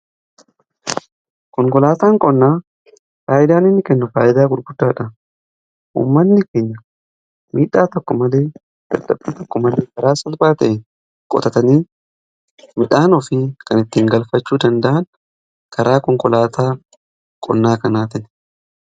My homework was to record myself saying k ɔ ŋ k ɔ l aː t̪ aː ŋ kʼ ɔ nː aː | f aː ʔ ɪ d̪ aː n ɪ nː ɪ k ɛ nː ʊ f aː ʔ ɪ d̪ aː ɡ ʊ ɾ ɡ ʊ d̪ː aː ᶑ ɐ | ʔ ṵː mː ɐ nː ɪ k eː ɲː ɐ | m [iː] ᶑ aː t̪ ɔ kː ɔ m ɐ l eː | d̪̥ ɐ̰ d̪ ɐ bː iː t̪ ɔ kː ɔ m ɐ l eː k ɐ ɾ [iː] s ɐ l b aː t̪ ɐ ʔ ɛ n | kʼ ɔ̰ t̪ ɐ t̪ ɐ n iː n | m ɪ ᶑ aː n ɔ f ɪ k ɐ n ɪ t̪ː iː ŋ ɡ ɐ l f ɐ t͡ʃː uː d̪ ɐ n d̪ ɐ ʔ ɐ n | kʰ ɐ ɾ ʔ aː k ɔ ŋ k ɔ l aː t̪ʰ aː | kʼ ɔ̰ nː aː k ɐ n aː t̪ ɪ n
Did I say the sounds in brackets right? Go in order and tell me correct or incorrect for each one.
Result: correct, incorrect: aː

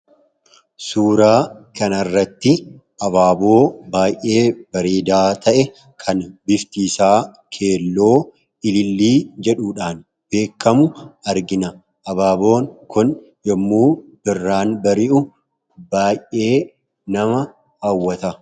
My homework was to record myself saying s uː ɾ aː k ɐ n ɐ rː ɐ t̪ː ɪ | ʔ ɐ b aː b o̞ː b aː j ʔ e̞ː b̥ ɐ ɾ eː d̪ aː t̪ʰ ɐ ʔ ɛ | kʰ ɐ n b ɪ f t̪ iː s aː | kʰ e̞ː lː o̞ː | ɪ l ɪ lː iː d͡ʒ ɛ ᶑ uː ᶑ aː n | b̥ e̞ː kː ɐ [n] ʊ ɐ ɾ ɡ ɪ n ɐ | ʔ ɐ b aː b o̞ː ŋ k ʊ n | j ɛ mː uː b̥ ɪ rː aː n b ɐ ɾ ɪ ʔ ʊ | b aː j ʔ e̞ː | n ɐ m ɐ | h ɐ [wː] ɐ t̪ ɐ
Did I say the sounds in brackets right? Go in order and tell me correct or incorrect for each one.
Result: incorrect: m, correct

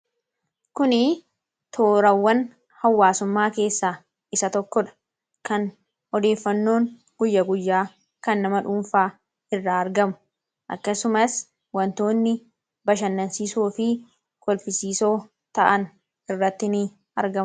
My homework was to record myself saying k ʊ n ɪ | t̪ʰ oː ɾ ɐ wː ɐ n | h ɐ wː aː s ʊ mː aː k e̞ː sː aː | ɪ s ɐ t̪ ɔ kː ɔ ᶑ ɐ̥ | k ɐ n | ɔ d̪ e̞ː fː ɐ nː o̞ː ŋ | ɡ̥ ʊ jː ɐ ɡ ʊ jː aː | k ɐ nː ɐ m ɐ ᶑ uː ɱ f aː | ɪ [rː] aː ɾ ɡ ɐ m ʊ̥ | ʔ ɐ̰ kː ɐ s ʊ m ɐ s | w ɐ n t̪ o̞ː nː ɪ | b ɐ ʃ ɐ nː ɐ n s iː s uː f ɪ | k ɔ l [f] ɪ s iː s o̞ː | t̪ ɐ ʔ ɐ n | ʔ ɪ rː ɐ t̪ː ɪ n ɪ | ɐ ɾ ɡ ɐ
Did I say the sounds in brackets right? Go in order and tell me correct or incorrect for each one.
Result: correct, correct

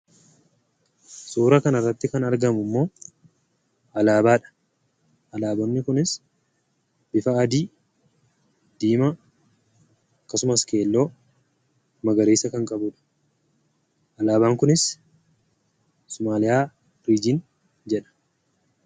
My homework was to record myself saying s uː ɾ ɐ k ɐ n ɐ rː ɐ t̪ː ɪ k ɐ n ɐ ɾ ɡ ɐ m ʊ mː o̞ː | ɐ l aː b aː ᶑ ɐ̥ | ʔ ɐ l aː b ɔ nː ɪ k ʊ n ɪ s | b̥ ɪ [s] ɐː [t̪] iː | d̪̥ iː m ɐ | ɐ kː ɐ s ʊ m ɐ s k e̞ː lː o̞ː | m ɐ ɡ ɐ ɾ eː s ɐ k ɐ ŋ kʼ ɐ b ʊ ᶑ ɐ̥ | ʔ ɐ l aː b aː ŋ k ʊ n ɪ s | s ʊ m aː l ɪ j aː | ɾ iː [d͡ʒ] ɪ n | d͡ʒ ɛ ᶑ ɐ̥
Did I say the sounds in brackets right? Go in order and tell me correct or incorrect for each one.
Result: incorrect: f, incorrect: d̪, correct

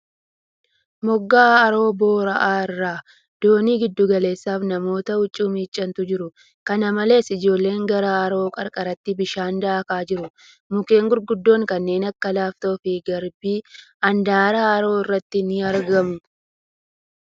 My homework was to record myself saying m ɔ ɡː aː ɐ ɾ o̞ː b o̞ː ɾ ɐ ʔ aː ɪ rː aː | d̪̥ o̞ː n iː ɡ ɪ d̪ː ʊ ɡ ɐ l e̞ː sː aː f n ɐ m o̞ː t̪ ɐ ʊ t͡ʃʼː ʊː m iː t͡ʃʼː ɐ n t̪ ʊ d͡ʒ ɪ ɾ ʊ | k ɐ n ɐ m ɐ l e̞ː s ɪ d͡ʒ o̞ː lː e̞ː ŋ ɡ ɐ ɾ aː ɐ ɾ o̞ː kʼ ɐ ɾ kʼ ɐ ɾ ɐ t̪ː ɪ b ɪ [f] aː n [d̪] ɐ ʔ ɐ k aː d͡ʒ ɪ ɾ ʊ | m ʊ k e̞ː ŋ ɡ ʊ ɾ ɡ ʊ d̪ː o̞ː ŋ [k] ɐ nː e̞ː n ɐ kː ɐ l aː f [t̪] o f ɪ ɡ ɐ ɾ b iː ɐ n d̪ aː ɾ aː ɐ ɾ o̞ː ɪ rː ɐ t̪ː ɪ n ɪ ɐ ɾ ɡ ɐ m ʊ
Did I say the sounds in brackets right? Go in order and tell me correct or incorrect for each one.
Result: incorrect: ʃ, correct, correct, correct

